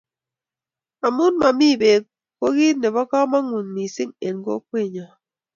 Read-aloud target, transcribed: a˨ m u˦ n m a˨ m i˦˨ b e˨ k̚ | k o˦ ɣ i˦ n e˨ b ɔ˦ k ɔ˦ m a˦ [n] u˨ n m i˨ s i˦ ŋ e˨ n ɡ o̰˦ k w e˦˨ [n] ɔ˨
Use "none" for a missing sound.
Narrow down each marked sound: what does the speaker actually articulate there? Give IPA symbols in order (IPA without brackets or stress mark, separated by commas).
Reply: ŋ, ɲ